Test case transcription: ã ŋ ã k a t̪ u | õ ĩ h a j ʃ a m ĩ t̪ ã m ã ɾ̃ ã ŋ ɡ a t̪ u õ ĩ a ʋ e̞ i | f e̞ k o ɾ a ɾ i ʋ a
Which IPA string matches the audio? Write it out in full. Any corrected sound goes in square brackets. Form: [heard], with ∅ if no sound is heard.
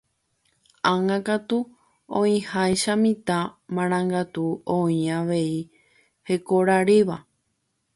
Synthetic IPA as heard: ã ŋ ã k a t̪ u | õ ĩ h a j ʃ a m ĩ t̪ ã m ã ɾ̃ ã ŋ ɡ a t̪ u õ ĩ a ʋ e̞ i | [h] e̞ k o ɾ a ɾ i ʋ a